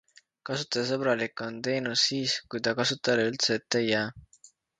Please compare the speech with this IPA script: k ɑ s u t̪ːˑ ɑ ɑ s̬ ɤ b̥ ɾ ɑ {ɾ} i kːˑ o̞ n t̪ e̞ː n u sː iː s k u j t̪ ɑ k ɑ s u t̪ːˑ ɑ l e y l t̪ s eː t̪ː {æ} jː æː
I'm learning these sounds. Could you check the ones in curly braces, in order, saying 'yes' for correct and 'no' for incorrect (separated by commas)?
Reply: no, no